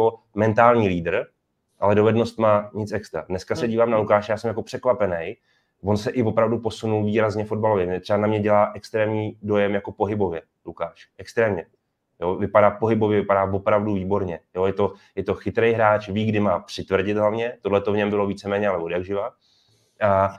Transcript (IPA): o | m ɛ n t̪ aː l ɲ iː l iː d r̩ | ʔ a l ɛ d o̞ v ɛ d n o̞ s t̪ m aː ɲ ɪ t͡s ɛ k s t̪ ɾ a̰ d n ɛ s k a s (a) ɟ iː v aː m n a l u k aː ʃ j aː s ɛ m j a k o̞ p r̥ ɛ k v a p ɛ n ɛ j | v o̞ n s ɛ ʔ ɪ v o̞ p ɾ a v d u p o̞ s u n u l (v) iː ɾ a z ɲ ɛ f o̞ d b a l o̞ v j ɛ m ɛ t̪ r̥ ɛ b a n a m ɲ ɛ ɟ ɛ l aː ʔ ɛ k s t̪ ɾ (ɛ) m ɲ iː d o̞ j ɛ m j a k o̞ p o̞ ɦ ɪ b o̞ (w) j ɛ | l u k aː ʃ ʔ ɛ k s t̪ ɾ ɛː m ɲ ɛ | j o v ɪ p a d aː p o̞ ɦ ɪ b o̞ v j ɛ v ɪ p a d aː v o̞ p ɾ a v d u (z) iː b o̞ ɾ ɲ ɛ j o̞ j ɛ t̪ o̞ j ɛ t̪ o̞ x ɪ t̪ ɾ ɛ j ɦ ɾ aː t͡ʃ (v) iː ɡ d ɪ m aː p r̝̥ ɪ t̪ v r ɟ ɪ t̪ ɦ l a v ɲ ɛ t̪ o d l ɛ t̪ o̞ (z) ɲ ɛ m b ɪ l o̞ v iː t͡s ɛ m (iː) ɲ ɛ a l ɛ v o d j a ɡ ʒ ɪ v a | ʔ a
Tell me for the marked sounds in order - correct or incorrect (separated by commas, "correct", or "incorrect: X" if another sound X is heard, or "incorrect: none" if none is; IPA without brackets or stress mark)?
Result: incorrect: ɛ, correct, incorrect: ɛː, incorrect: v, incorrect: v, correct, incorrect: v, incorrect: ɛː